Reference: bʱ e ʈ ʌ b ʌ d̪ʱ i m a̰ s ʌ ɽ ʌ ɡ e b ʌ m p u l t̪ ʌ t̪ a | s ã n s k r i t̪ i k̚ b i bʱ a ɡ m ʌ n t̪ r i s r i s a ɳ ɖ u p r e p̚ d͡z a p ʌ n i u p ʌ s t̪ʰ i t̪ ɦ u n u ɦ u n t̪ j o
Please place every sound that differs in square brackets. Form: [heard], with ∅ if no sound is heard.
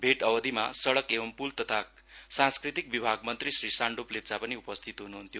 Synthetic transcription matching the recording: bʱ e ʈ ʌ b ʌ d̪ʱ i m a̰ s ʌ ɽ ʌ [k] e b ʌ m p u l t̪ ʌ [t̪ʰ] a | s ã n s k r i t̪ i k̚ b i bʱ a ɡ m ʌ n t̪ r i s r i s a ɳ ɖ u p [l] e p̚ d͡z a p ʌ n i u p ʌ s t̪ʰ i t̪ ɦ u n u ɦ u n t̪ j o